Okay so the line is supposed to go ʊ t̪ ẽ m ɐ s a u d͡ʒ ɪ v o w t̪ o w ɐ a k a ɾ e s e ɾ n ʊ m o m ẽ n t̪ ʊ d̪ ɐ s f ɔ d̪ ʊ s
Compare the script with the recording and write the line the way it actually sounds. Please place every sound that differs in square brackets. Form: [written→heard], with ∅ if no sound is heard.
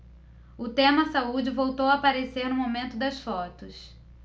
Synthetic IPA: ʊ t̪ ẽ m ɐ s a u d͡ʒ ɪ v o w t̪ o w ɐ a [k→p] a ɾ e s e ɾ n ʊ m o m ẽ n t̪ ʊ d̪ ɐ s f ɔ [d̪→t̪] ʊ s